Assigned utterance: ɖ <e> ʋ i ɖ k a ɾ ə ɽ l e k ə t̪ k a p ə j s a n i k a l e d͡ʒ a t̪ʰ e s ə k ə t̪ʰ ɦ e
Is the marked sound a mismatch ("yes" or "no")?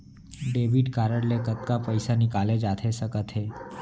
no